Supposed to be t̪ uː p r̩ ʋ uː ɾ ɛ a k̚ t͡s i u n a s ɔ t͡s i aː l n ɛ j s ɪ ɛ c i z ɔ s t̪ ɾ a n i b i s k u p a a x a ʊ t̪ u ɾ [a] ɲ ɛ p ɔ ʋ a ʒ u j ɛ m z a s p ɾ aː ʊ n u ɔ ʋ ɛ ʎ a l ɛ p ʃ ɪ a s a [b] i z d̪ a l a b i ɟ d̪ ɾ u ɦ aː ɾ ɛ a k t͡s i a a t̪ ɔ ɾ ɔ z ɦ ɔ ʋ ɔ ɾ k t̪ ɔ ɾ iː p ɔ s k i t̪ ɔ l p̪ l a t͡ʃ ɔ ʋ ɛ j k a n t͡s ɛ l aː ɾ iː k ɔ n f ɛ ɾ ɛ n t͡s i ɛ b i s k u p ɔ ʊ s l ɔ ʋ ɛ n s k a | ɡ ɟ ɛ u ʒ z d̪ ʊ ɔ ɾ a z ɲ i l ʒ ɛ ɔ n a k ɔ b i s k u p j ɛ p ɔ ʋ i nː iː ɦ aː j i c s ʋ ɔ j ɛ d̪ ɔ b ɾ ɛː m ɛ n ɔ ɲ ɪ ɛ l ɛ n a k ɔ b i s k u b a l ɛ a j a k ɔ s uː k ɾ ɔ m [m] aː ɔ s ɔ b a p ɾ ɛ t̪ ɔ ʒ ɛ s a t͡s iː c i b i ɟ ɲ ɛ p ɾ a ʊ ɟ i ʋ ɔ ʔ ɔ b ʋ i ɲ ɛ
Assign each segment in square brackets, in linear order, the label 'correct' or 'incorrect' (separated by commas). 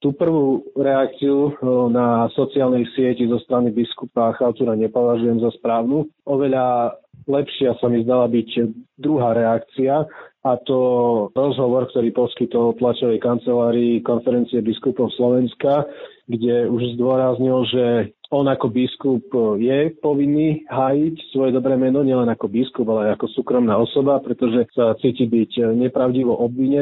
correct, incorrect, incorrect